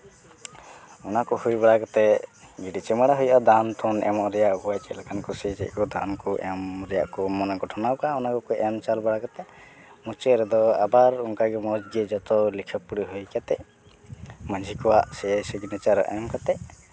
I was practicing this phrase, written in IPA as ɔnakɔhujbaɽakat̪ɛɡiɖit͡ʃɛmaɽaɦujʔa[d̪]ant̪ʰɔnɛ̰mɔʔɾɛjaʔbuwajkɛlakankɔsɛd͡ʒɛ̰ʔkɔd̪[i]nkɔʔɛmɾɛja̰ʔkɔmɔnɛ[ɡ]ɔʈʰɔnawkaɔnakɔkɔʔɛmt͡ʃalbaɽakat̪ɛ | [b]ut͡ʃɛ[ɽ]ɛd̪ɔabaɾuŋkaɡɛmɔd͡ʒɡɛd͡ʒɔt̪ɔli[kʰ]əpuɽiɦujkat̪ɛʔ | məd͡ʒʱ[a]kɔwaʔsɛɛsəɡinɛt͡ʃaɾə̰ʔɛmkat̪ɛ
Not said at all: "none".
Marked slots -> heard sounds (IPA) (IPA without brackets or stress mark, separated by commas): d̪, a, ɡ, m, ɾ, kʰ, i